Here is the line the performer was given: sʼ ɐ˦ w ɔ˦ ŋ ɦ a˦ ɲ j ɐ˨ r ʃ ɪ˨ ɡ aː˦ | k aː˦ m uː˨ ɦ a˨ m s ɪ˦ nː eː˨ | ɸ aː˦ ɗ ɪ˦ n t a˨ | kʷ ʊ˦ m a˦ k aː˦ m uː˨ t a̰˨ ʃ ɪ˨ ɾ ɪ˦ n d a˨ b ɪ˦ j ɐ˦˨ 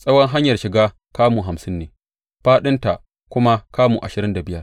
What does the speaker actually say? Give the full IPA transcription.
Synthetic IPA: sʼ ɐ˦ w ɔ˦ ŋ ɦ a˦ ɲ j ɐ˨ r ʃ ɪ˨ ɡ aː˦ | k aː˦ m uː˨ ɦ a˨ m s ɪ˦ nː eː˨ | ɸ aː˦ ɗ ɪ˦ n t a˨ | kʷ ʊ˦ m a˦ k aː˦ m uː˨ ʔ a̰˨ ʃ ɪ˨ ɾ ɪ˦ n d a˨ b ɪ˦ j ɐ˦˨